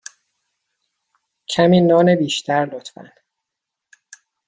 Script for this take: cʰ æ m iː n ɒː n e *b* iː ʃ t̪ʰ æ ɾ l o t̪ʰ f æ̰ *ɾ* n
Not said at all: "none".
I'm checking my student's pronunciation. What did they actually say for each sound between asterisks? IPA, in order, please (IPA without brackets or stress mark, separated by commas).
b, none